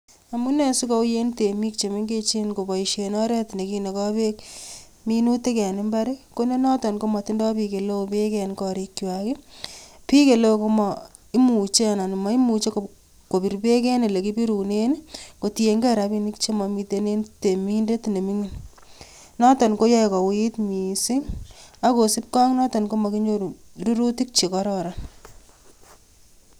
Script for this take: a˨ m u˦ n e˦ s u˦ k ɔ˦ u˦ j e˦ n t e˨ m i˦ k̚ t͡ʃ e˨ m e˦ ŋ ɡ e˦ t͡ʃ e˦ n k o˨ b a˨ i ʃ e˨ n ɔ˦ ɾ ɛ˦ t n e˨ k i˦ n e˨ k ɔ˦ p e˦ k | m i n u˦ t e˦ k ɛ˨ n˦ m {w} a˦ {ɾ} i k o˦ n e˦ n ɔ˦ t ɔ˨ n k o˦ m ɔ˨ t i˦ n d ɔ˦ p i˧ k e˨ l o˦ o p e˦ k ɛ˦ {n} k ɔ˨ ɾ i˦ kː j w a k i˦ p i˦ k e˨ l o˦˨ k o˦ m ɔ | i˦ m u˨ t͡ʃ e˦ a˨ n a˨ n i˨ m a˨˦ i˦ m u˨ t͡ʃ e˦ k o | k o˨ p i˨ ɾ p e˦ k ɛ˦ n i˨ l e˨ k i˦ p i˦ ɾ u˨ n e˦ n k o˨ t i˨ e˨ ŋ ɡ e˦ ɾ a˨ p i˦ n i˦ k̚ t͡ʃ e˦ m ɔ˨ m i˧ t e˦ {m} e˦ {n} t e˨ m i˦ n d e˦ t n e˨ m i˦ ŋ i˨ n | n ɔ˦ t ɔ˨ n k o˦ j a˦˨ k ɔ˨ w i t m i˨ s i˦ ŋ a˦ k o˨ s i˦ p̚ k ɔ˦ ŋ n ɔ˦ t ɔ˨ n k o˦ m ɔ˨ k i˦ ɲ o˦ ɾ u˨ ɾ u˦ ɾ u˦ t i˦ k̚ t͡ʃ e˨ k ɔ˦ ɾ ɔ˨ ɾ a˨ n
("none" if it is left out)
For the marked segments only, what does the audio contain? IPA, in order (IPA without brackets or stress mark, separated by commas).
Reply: b, ɾ, n, n, n